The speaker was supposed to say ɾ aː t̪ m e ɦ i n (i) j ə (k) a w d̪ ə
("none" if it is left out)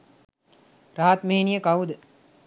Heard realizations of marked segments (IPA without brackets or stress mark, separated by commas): i, k